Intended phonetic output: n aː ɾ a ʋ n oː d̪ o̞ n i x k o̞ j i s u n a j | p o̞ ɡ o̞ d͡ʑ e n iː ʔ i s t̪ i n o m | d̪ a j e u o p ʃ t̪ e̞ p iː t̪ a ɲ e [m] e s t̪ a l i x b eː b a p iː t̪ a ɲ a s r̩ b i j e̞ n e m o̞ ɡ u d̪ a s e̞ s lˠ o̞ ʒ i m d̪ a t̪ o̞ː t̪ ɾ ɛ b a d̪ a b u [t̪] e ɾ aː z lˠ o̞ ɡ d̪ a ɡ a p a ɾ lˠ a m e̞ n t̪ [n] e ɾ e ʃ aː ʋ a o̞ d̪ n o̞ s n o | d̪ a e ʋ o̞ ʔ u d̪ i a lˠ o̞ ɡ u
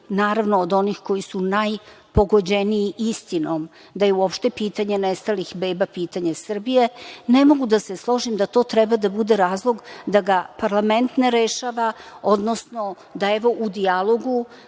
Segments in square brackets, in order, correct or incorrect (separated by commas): incorrect, incorrect, correct